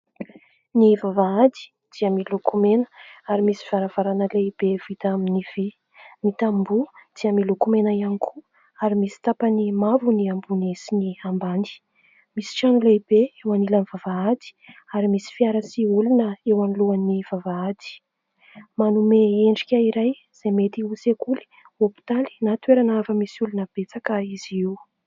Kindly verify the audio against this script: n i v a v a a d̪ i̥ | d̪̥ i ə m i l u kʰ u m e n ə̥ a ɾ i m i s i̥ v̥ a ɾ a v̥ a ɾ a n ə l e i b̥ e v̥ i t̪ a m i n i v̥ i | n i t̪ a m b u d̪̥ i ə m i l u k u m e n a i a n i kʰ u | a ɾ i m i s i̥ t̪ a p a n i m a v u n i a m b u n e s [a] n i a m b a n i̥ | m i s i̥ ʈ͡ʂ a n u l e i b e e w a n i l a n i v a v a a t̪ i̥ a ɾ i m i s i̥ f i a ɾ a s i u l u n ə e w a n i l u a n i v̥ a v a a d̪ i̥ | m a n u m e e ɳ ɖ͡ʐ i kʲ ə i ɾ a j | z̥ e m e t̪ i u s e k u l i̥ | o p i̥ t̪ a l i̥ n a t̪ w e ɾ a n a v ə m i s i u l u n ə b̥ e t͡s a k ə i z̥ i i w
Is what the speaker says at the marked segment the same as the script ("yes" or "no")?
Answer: no